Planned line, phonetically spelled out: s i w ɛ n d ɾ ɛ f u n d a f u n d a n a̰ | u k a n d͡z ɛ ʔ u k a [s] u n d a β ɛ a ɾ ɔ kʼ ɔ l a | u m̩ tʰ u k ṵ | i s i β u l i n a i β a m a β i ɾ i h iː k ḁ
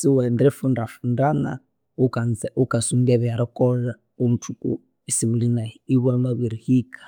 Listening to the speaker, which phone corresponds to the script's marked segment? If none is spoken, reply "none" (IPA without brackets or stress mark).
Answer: s